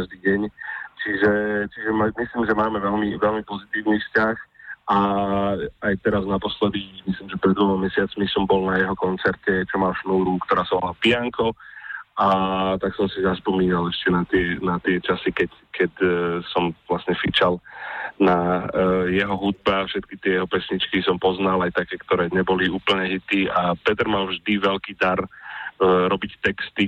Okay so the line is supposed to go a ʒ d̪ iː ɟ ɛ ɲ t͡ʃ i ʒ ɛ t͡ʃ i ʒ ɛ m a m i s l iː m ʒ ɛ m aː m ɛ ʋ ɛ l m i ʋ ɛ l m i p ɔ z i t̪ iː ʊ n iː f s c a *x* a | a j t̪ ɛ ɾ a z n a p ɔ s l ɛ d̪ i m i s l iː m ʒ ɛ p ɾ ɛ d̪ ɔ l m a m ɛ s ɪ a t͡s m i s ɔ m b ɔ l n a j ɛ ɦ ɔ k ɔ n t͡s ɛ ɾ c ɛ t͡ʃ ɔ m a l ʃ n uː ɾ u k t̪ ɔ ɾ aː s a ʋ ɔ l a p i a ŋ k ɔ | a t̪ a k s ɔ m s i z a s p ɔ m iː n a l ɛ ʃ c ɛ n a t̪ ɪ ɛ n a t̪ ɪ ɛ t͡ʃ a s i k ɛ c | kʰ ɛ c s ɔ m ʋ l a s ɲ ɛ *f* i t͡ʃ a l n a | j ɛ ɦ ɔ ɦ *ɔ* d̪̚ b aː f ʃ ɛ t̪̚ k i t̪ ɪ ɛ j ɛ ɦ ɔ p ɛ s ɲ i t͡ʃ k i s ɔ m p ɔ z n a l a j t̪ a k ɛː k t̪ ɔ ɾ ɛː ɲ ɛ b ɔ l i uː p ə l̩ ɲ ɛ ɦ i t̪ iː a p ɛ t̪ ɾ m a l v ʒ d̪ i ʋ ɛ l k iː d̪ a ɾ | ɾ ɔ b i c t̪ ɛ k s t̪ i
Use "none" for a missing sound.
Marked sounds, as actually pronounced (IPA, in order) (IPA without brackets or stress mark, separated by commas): x, f, u